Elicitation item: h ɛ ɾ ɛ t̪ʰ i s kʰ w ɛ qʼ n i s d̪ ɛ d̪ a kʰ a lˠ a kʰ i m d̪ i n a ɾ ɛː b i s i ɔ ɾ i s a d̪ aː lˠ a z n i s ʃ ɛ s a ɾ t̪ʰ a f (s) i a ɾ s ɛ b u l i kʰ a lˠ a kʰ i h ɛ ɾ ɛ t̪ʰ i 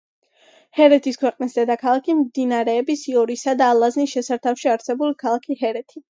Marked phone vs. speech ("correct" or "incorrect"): incorrect